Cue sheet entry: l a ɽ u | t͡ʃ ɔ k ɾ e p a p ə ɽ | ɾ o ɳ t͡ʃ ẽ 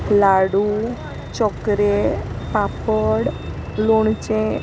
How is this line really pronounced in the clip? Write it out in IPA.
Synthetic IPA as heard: l a ɽ u | t͡ʃ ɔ k ɾ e p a p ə ɽ | l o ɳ t͡ʃ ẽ

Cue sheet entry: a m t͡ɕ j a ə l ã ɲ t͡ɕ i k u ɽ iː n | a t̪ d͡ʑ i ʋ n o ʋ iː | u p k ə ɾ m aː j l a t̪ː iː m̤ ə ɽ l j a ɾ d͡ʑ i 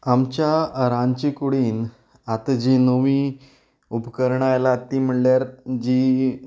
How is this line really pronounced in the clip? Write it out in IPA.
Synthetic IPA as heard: a m t͡ɕ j a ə ɾ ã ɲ t͡ɕ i k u ɽ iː n | a t̪ d͡ʑ i n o ʋ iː | u p k ə ɾ ɳ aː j l a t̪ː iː m̤ ə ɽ l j a ɾ d͡ʑ i

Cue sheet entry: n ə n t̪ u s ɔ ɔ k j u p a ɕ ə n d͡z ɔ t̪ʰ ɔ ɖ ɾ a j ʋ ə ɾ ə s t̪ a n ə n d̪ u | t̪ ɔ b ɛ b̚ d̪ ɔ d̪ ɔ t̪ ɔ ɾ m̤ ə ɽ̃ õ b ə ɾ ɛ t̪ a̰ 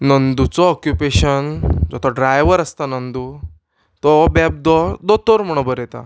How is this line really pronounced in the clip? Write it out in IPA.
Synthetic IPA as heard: n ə n d̪ u t͡s ɔ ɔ k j u p e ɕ ə n d͡z ɔ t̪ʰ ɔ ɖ ɾ a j ʋ ə ɾ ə s t̪ a n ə n d̪ u | t̪ ɔ b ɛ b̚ d̪ ɔ d̪ ɔ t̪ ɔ ɾ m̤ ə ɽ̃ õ b ə ɾ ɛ t̪ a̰

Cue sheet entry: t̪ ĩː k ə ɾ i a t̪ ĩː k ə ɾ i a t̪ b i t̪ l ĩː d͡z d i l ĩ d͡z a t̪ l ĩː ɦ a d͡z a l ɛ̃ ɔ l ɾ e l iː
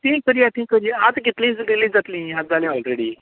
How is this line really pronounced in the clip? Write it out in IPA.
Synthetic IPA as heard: t̪ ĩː k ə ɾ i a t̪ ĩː k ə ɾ i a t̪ ɡ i t̪ l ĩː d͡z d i l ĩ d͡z a t̪ l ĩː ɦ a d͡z a l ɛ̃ ɔ l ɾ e ɽ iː

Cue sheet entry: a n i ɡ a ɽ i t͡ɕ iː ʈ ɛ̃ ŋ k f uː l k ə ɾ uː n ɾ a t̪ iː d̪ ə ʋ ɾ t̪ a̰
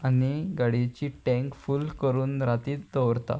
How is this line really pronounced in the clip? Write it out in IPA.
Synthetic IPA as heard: a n i ɡ a ɽ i t͡ɕ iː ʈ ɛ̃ ŋ k f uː l k ə ɾ uː n ɾ a t̪ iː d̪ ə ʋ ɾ t̪ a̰

